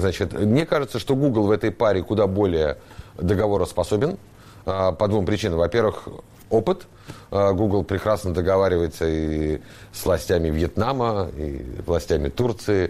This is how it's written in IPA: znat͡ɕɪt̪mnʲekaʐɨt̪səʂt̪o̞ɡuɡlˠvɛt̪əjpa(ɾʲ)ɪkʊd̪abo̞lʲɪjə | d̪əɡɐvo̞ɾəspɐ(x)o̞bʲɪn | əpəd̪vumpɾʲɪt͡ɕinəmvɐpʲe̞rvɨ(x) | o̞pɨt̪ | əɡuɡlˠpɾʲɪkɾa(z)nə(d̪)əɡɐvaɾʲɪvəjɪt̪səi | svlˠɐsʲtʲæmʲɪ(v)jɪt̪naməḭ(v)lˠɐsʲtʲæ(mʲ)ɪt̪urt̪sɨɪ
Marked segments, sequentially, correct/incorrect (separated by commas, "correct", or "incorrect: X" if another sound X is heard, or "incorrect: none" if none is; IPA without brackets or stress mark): correct, incorrect: s, correct, incorrect: s, correct, correct, correct, correct